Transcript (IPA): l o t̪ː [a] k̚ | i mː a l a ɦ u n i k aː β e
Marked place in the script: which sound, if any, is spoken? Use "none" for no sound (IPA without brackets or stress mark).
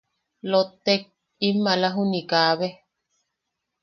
e